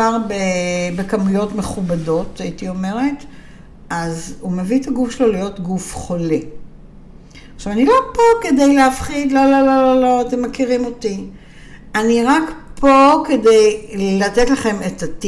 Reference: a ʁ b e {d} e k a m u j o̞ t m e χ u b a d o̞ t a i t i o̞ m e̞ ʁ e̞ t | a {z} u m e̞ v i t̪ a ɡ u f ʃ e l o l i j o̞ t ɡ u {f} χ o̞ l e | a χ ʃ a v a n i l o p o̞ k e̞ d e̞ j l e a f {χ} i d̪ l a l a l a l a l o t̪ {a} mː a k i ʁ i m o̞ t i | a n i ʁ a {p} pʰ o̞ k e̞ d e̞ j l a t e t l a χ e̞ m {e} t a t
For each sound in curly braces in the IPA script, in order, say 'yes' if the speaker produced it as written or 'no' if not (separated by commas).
no, yes, yes, yes, no, no, yes